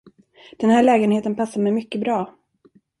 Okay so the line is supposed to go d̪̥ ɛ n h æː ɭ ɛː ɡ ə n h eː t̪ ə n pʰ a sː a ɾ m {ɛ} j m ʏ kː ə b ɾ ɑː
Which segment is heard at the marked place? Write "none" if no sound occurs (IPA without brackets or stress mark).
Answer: ɛ